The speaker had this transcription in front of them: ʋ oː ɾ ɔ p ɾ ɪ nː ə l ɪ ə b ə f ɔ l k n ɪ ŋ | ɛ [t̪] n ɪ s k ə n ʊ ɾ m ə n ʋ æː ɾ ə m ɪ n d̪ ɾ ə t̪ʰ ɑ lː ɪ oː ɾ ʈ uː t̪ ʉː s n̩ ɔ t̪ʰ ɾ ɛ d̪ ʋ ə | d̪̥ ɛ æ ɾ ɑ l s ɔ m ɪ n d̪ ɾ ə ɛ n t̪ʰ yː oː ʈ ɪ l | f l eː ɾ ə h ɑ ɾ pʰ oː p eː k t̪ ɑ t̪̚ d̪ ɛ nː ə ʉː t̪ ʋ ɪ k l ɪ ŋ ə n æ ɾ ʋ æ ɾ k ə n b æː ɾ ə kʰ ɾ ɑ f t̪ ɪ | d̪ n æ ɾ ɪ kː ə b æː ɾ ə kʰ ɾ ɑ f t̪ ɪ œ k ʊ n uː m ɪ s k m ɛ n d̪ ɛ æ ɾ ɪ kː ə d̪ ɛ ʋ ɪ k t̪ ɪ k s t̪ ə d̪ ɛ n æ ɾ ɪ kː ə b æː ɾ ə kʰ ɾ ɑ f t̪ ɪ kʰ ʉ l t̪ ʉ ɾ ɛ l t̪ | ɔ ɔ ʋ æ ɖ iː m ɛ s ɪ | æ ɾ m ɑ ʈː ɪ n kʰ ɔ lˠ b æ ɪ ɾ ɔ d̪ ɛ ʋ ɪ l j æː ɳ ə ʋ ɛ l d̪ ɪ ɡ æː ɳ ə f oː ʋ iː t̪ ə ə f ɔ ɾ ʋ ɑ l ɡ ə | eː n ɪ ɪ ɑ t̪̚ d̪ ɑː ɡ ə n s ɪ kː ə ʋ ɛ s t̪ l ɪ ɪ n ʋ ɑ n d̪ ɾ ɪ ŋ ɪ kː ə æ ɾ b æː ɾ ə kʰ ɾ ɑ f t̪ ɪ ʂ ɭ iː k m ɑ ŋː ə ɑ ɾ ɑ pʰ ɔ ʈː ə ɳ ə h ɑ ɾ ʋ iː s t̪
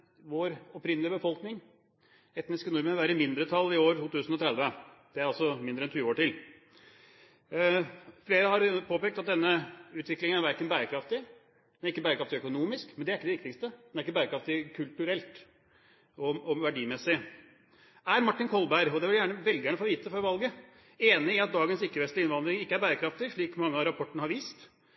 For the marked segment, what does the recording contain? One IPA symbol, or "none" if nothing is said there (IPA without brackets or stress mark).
t̪